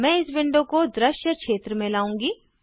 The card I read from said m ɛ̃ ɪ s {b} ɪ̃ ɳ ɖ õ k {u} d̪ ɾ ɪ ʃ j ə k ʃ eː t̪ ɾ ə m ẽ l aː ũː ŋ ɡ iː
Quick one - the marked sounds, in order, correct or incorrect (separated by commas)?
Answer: correct, incorrect